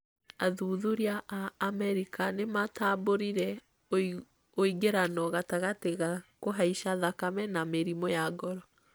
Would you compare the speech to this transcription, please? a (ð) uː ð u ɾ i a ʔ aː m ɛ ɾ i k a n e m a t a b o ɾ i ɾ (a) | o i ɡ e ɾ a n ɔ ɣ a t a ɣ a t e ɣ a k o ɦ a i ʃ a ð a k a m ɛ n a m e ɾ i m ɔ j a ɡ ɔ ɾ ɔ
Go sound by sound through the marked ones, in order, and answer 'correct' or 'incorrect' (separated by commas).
correct, incorrect